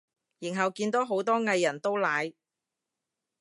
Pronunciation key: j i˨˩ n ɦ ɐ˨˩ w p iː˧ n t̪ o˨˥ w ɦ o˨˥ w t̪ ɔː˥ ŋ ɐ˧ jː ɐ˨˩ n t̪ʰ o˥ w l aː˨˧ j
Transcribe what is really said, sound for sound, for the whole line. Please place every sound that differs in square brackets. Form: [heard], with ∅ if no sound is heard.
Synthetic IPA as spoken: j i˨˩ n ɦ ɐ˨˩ w [k] iː˧ n t̪ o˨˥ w ɦ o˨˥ w t̪ ɔː˥ ŋ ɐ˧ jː ɐ˨˩ n [t̪] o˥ w l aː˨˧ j